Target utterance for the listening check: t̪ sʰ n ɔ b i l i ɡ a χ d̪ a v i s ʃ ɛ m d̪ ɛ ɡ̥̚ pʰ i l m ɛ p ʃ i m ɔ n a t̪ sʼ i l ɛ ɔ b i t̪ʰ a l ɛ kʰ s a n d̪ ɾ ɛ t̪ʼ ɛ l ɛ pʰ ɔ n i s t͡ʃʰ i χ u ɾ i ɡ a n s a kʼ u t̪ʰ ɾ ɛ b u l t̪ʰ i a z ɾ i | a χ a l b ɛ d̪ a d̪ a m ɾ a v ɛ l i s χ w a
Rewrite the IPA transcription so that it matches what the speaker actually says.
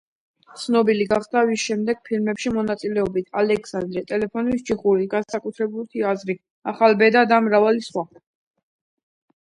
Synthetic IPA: t̪ sʰ n ɔ b i l i ɡ a χ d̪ a v i s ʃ ɛ m d̪ ɛ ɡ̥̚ pʰ i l m ɛ p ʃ i m ɔ n a t̪ sʼ i l ɛ ɔ b i t̪ʰ a l ɛ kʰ s a n d̪ ɾ ɛ t̪ʼ ɛ l ɛ pʰ ɔ n i s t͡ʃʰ i χ u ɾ i ɡ a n s a kʼ u t̪ʰ ɾ ɛ b u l t̪ʰ i a z ɾ i | a χ a l b ɛ d̪ a d̪ a m ɾ a v a l i s χ w a